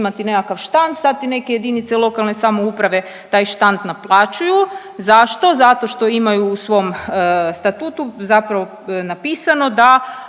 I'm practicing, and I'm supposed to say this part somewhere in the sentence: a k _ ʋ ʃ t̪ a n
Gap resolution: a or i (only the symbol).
a